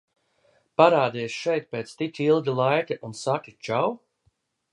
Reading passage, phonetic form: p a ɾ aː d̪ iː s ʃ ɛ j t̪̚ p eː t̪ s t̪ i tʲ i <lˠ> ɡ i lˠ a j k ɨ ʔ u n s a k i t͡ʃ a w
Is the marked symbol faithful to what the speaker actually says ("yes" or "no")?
yes